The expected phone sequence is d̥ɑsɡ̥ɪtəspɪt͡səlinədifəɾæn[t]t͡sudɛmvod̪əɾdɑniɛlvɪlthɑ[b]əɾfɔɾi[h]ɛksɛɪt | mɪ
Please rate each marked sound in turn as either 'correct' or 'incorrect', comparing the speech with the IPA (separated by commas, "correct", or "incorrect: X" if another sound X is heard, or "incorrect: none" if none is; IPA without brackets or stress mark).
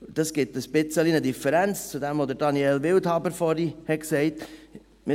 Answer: incorrect: t͡s, correct, correct